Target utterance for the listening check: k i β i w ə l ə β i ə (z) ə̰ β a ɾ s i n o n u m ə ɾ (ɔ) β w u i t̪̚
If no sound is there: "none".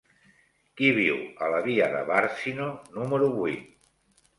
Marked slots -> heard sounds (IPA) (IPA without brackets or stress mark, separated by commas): ð, u